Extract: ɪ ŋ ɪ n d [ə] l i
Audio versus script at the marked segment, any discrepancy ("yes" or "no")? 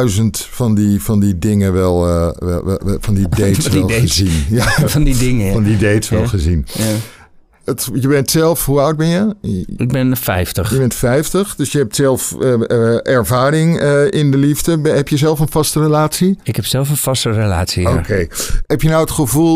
no